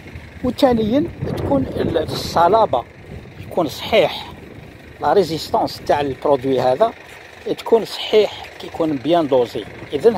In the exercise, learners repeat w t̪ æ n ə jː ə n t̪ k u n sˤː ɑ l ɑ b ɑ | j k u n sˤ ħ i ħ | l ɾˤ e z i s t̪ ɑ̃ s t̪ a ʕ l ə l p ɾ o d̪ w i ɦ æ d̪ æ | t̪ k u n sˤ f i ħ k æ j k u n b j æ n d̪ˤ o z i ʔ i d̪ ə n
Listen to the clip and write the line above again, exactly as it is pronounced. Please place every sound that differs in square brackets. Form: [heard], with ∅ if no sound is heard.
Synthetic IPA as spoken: w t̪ æ n ə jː ə n t̪ k u n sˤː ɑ l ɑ b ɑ | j k u n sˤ ħ i ħ | l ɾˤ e z i s t̪ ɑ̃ s t̪ a ʕ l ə l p ɾ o d̪ w i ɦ æ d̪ æ | t̪ k u n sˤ [ħ] i ħ k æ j k u n b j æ n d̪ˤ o z i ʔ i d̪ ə n

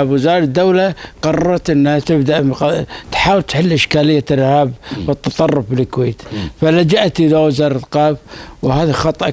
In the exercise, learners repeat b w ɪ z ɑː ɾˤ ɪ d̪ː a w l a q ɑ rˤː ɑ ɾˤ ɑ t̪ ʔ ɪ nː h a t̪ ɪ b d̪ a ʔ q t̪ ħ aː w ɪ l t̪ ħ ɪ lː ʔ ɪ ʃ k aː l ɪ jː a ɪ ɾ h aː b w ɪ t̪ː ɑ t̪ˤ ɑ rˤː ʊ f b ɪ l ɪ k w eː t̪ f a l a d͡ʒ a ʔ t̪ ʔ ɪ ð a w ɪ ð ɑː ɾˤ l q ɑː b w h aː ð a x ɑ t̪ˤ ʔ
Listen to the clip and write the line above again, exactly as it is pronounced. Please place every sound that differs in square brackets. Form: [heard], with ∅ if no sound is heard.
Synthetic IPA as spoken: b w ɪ z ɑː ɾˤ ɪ d̪ː a w l a q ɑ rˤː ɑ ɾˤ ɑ t̪ ʔ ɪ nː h a t̪ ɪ b d̪ a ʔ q t̪ ħ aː w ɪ l t̪ ħ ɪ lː ʔ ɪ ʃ k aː l ɪ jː a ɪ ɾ h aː b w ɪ t̪ː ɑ t̪ˤ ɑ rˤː ʊ f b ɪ l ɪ k w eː t̪ f a l a d͡ʒ a ʔ t̪ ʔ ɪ ð a w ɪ [z] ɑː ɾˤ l q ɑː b w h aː ð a x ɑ t̪ˤ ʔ

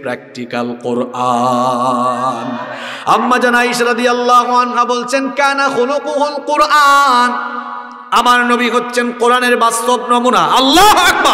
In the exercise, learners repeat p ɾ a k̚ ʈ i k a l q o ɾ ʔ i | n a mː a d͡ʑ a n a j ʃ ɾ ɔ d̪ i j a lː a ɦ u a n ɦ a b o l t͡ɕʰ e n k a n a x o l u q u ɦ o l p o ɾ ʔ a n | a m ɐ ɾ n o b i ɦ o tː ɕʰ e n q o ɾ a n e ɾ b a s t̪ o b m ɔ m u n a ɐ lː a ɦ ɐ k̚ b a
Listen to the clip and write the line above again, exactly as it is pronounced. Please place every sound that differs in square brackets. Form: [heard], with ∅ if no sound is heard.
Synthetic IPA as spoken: p ɾ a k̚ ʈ i k a l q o ɾ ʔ [a] | n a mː a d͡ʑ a n a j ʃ ɾ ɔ d̪ i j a lː a ɦ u a n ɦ a b o l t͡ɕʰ e n k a n a x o l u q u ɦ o l [q] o ɾ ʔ a n | a m [a] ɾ n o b i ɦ o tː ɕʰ e n q o ɾ a n e ɾ b a s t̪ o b [n] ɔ m u n a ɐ lː a ɦ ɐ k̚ b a

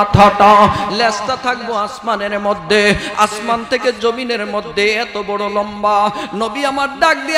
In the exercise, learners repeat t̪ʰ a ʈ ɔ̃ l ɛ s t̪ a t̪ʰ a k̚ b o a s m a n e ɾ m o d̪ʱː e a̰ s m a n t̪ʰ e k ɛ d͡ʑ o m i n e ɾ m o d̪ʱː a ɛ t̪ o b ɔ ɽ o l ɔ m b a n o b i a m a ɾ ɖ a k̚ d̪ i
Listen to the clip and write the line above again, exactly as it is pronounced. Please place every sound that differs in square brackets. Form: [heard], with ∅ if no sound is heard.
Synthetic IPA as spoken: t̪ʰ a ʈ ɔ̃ l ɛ s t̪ a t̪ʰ a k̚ b o a s m a n e ɾ m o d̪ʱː e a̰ s m a n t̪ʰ e k [e] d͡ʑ o m i n e ɾ m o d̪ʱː [e] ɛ t̪ o b ɔ ɽ o l ɔ m b a n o b i a m a ɾ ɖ a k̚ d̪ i

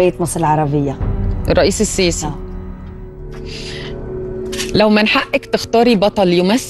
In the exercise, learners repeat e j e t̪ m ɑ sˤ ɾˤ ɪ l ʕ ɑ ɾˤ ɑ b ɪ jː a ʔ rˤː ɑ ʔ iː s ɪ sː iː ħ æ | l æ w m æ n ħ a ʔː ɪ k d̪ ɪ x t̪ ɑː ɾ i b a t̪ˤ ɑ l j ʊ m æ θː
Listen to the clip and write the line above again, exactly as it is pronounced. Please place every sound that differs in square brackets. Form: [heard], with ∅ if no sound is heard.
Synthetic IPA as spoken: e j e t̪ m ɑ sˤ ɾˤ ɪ l ʕ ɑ ɾˤ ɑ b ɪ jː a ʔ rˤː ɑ ʔ iː s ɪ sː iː [s] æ | l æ w m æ n ħ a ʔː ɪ k [t̪] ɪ x t̪ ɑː ɾ i b [ɑ] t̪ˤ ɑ l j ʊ m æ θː

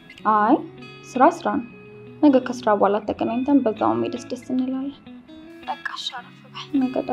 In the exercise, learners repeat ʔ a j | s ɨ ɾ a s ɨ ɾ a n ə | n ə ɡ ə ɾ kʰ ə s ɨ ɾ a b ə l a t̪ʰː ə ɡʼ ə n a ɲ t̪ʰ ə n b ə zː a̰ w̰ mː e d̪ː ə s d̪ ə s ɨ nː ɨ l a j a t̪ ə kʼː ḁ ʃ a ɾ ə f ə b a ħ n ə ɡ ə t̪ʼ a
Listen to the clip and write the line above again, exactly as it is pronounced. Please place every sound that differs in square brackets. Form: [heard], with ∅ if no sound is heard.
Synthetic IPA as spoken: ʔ a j | s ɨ ɾ a s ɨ ɾ a n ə | n ə ɡ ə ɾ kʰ ə s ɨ ɾ a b [a] l a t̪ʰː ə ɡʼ ə n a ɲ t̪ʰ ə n b ə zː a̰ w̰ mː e [d̪] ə s d̪ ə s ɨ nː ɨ l a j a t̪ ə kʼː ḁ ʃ a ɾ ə f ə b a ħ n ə ɡ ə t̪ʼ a

